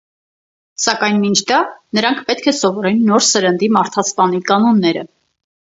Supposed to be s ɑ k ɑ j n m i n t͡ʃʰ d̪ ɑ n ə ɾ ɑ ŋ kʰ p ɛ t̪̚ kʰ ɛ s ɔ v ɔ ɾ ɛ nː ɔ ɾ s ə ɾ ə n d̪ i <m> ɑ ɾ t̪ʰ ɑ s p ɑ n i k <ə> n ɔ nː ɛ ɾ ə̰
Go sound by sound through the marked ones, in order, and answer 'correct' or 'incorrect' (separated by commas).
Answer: correct, incorrect